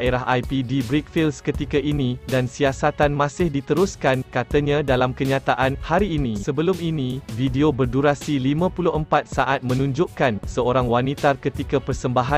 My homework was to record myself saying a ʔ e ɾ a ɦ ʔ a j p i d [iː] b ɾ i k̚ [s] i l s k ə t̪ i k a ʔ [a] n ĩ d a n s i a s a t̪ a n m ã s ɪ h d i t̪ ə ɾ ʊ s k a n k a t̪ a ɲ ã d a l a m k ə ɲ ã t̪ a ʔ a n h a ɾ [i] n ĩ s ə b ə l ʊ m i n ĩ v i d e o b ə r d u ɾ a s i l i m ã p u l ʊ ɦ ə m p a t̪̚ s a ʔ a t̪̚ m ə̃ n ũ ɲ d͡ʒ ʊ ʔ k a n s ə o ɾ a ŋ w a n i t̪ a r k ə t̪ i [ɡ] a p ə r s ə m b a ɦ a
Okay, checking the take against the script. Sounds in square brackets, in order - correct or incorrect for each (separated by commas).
incorrect, incorrect, incorrect, incorrect, incorrect